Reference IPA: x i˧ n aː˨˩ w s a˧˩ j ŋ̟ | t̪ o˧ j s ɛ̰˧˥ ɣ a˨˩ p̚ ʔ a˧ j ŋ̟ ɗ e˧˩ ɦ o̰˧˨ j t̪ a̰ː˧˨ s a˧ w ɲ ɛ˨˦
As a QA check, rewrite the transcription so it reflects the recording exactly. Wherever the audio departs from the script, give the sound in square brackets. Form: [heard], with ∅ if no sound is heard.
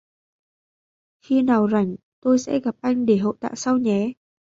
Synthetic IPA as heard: x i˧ n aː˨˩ w [z] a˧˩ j ŋ̟ | t̪ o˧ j s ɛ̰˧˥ ɣ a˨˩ p̚ ʔ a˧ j ŋ̟ ɗ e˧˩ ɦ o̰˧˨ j t̪ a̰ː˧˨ s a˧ w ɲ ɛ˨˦